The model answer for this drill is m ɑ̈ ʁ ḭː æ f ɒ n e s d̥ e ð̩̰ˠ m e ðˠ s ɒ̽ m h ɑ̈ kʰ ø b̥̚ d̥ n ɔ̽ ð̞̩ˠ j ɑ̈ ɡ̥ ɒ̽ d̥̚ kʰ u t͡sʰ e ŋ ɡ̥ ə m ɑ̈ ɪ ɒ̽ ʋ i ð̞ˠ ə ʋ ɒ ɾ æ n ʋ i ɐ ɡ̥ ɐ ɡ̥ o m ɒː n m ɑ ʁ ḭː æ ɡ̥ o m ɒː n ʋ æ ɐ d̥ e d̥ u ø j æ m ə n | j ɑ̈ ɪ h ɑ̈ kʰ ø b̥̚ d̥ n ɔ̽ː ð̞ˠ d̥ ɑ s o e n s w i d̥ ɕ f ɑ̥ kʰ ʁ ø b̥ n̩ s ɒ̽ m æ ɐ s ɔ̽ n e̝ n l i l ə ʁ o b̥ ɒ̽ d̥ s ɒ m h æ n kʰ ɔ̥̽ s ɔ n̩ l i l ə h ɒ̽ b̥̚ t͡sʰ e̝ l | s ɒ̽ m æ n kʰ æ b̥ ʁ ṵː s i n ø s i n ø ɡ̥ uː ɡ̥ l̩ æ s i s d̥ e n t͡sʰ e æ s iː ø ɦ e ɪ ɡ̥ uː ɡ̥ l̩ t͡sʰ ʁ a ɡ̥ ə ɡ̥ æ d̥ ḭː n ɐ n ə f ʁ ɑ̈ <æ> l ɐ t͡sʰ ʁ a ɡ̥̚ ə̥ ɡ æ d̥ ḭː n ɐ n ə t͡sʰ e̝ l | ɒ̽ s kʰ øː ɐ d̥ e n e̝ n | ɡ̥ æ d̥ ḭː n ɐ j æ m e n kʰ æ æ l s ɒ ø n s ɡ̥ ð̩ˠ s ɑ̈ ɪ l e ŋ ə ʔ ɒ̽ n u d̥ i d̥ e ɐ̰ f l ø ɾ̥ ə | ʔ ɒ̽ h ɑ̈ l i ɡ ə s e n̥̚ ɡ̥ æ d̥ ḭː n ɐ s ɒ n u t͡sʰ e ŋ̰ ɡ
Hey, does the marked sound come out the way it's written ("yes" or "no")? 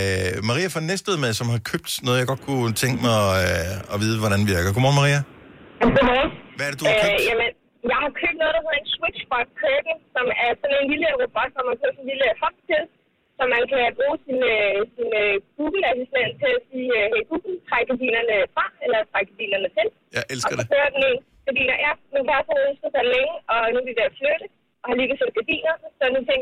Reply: no